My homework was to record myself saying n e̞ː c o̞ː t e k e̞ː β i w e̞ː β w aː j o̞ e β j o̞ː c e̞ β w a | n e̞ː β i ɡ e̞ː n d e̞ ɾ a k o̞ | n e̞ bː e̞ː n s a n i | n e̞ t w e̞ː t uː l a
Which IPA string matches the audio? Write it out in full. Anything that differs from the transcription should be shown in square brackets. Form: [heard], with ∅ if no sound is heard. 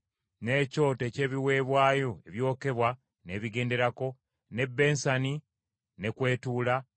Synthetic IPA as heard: n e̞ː c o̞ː t e [c] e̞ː β i w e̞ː β w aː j o̞ e β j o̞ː [k] e̞ β w a | n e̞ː β i ɡ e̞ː n d e̞ ɾ a k o̞ | n e̞ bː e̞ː n s a n i | n e̞ [k] w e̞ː t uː l a